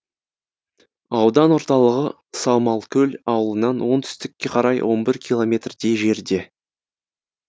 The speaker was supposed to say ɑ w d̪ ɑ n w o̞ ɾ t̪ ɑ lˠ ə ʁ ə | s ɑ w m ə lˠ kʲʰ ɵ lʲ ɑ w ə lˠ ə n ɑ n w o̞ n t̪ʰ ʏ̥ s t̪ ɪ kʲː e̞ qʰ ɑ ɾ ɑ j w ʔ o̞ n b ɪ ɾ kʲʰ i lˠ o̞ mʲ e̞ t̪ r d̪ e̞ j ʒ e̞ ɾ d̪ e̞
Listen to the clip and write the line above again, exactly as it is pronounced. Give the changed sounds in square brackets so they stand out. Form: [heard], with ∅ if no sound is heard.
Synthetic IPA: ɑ w d̪ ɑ n w o̞ ɾ t̪ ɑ lˠ ə ʁ ə | s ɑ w m [ɑ] lˠ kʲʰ ɵ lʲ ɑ w ə lˠ ə n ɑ n w o̞ n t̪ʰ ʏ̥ s t̪ ɪ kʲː e̞ qʰ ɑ ɾ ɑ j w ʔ o̞ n b ɪ ɾ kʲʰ i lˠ o̞ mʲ e̞ t̪ r d̪ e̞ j ʒ e̞ ɾ d̪ e̞